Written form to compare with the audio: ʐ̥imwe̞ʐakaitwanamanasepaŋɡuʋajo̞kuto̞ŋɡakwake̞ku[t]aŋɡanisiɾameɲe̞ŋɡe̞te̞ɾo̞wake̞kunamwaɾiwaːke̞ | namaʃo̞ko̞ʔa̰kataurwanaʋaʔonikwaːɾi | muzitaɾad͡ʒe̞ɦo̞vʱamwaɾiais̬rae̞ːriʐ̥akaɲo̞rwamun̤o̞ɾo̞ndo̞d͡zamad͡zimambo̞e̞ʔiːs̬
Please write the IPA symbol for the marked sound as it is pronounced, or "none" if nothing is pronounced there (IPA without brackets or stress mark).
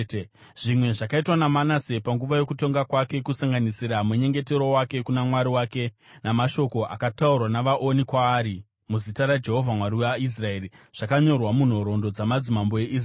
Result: s